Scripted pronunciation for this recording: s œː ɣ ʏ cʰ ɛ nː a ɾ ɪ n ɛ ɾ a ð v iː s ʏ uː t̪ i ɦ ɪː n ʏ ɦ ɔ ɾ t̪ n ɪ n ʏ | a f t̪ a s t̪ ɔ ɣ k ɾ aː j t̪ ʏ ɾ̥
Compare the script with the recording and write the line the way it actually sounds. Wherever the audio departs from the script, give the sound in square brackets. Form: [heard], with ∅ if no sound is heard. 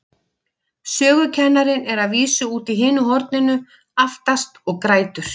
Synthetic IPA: s œː ɣ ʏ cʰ ɛ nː a ɾ ɪ n ɛ ɾ a ð v iː s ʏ uː t̪ i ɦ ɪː n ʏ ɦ ɔ ɾ t̪ n ɪ n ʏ | a f t̪ a s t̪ ɔ ɣ k ɾ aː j t̪ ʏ ɾ̥

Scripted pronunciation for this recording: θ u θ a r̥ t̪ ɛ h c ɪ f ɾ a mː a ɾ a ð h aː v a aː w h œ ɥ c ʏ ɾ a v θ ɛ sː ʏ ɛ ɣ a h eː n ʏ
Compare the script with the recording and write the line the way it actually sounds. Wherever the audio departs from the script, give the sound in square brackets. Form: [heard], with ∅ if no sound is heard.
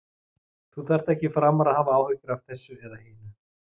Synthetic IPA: θ u θ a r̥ t̪ ɛ h c ɪ f ɾ a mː a ɾ a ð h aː v a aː w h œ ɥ c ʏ ɾ a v θ ɛ sː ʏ ɛ [ð] a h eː n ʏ

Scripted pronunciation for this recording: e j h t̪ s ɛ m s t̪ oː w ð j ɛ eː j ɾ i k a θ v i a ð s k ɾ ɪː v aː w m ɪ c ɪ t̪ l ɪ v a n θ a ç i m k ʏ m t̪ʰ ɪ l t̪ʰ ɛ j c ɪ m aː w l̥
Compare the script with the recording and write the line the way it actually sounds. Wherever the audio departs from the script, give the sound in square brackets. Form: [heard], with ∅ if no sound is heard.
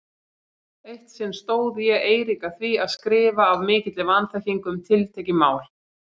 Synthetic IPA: e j h t̪ s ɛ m s t̪ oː w ð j ɛ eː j ɾ i k a θ v i a ð s k ɾ ɪː v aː [v] m [ɪː] c ɪ t̪ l ɪ v a n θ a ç i [ŋ] k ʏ m t̪ʰ ɪ l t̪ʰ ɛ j c ɪ m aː w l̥

